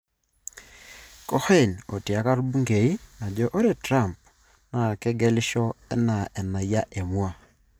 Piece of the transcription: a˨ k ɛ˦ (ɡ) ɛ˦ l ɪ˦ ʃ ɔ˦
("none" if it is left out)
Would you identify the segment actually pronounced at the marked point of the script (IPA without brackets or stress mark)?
ɡ